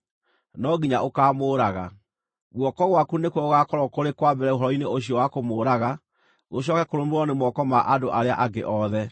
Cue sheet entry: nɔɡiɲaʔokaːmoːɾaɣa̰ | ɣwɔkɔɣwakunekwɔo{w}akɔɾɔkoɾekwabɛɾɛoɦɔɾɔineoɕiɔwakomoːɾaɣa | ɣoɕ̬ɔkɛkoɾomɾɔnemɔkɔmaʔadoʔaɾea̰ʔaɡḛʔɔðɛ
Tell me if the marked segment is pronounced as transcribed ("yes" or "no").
no